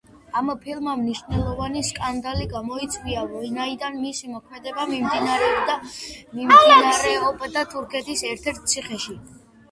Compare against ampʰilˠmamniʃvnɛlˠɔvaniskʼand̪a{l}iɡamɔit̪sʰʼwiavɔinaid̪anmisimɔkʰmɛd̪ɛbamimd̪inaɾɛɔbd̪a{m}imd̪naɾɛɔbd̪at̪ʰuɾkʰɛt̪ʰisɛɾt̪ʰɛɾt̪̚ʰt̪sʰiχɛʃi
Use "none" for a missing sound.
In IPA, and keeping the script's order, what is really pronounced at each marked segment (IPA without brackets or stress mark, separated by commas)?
l, m